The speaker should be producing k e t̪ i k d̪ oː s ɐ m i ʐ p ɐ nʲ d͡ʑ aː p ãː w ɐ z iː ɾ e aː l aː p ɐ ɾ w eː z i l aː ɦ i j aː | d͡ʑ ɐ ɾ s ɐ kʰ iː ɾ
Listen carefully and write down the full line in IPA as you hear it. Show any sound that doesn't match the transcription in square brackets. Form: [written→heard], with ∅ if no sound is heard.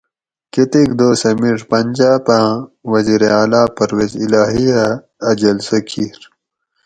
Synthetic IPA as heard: k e t̪ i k d̪ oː s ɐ m i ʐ p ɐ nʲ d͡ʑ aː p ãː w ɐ z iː ɾ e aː l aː p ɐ ɾ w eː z i l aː ɦ i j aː | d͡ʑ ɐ [ɾ→l] s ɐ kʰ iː ɾ